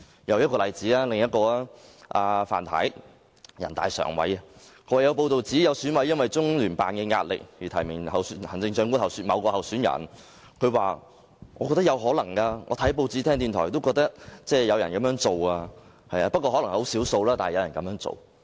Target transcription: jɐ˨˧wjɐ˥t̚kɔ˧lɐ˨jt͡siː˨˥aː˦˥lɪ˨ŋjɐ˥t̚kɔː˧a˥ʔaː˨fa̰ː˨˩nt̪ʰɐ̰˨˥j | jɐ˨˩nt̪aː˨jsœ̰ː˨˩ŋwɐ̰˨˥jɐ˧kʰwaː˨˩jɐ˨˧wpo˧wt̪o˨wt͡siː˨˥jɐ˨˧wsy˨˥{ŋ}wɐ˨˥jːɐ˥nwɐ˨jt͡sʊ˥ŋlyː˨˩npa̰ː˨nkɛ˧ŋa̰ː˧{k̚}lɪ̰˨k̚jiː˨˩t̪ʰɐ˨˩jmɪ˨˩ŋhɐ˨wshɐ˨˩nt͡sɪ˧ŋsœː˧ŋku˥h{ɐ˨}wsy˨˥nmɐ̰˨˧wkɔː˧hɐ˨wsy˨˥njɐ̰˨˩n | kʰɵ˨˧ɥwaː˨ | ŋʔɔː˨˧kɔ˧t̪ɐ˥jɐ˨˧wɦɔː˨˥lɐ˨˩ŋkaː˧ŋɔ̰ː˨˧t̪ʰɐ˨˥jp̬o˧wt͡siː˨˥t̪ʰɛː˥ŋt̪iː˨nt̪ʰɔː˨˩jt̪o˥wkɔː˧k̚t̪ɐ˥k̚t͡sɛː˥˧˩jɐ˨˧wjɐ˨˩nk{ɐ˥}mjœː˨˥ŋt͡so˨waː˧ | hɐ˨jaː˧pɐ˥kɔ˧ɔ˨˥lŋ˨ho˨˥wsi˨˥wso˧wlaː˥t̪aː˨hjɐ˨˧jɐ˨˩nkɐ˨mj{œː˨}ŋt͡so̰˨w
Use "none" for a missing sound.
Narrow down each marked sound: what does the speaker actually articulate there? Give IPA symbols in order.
n, t̚, ɐ˨, ɐ˨˥, œː˧˥

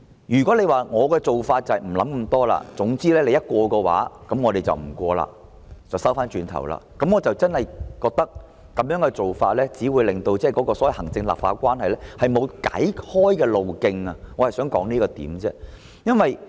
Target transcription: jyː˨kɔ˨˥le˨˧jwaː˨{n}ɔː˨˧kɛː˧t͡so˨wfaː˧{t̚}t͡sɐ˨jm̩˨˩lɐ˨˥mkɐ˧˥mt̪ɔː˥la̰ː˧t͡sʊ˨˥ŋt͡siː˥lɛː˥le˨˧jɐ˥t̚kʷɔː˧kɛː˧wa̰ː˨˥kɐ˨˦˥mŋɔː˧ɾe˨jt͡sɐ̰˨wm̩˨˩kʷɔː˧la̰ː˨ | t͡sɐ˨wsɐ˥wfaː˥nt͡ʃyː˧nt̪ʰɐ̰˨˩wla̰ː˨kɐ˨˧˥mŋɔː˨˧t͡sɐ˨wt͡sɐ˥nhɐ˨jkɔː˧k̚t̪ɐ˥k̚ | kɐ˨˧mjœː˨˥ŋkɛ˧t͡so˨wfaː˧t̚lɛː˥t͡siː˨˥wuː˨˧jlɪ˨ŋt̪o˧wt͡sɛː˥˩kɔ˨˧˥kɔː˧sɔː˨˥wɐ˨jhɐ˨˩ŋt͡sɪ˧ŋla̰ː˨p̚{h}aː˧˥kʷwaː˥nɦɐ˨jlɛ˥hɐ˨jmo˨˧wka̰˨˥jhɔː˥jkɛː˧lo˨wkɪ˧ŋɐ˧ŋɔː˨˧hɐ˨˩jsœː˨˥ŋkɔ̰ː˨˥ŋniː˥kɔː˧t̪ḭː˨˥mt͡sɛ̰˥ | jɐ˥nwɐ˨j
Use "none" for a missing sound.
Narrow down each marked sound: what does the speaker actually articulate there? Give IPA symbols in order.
ŋ, t̚, f

